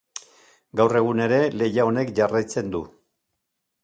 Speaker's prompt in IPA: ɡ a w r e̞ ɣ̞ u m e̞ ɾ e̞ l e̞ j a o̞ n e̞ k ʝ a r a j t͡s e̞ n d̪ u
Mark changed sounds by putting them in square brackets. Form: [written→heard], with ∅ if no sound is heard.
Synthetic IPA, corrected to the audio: ɡ a w r e̞ ɣ̞ u [m→n] e̞ ɾ e̞ l e̞ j a o̞ n e̞ k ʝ a r a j t͡s e̞ n d̪ u

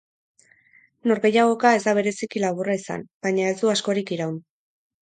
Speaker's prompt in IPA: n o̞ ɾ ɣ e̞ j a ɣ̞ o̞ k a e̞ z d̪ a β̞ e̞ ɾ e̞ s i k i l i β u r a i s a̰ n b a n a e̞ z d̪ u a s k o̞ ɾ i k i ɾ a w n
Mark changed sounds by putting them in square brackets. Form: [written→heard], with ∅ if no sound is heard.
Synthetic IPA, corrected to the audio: n o̞ ɾ ɣ e̞ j a ɣ̞ o̞ k a e̞ z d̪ a β̞ e̞ ɾ e̞ s i k i l [i→a] β u r a i s a̰ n b a [n→ɲ] a e̞ z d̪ u a s k o̞ ɾ i k i ɾ a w n

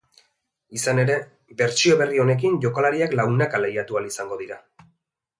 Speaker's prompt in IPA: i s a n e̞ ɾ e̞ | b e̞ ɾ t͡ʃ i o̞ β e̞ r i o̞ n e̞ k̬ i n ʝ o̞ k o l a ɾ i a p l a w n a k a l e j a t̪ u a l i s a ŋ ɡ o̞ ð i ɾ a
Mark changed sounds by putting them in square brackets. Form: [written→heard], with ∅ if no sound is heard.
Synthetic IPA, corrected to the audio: i s a n e̞ ɾ e̞ | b e̞ ɾ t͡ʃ i o̞ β e̞ r i o̞ n e̞ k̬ i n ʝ o̞ k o l a ɾ i a [p→k] l a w n a k a l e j a t̪ u a l i s a ŋ ɡ o̞ ð i ɾ a

